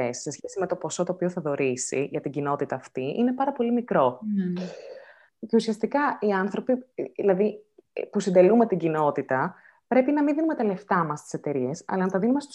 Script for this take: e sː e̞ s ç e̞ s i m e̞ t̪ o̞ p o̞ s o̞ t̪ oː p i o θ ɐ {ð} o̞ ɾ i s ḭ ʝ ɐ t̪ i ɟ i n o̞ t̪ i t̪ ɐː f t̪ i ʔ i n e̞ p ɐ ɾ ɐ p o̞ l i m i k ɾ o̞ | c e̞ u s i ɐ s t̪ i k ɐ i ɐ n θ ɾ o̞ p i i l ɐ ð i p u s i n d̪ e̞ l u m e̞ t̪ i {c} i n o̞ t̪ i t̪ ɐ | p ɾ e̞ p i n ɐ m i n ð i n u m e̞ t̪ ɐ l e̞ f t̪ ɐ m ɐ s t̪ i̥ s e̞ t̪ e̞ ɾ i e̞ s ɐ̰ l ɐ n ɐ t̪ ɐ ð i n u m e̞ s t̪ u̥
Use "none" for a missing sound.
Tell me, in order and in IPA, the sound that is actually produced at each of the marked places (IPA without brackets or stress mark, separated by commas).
ð, ɟ